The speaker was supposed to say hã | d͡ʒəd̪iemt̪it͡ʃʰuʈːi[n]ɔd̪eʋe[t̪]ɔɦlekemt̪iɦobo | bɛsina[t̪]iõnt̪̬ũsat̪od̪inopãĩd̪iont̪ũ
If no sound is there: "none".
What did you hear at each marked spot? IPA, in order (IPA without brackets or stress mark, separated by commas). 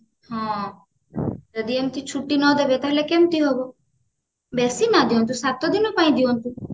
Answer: n, t̪, d̪